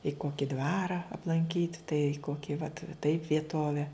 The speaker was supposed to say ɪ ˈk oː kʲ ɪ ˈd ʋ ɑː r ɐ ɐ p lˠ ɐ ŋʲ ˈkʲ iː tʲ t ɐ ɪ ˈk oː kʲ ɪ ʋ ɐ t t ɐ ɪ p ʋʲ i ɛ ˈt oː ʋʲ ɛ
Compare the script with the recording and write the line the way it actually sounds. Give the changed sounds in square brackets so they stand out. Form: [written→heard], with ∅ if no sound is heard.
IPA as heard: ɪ ˈk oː kʲ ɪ ˈd ʋ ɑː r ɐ ɐ p lˠ ɐ ŋʲ ˈkʲ iː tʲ t ɐ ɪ ˈk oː kʲ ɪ ʋ ɐ t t ɐ ɪ p ʋʲ i ɛ ˈt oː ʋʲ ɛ